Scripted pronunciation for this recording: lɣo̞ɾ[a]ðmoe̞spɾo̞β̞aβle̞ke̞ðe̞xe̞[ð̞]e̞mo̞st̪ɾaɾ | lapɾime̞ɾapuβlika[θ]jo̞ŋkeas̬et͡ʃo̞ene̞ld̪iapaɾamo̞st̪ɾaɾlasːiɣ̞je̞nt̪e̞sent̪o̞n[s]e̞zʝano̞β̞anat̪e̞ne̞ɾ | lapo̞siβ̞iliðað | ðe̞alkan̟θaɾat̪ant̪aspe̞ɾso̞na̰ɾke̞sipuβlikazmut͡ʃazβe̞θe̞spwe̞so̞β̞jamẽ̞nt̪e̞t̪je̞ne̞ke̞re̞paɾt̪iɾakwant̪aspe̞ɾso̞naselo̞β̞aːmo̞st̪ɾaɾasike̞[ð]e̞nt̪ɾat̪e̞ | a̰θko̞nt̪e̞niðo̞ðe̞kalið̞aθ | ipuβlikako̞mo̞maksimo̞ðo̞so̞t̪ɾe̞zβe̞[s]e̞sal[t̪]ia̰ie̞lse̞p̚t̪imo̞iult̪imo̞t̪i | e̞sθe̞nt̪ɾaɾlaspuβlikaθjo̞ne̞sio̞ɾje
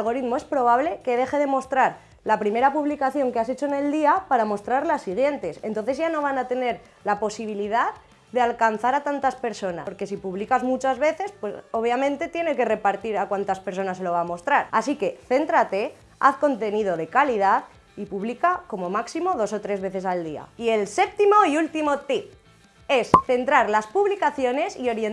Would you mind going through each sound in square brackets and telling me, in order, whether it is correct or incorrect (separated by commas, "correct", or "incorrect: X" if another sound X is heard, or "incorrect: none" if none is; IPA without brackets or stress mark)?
incorrect: i, correct, correct, incorrect: θ, incorrect: θ, incorrect: θ, incorrect: d̪